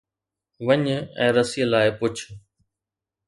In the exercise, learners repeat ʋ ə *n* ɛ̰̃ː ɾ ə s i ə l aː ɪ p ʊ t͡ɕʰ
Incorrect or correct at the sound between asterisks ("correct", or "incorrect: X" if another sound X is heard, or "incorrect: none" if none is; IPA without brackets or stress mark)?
incorrect: ɲ